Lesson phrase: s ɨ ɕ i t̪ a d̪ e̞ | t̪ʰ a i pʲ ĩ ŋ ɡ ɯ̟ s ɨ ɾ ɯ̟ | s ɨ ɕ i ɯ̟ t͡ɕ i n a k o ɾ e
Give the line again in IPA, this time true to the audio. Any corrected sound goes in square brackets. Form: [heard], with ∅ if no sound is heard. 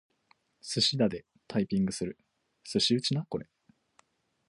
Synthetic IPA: s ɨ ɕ i [d̪] a d̪ e̞ | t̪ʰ a i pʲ ĩ ŋ ɡ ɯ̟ s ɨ ɾ ɯ̟ | s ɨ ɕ i ɯ̟ t͡ɕ i n a k o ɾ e